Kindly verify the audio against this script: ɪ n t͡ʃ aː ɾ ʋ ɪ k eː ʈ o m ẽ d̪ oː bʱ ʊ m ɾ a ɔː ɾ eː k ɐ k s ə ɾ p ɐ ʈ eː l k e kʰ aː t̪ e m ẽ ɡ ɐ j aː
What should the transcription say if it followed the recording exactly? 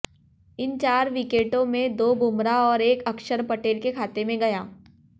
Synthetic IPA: ɪ n t͡ʃ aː ɾ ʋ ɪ k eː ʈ õ m ẽ d̪ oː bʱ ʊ m ɾ a ɔː ɾ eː k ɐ k ʃ ə ɾ p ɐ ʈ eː l k e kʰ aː t̪ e m ẽ ɡ ɐ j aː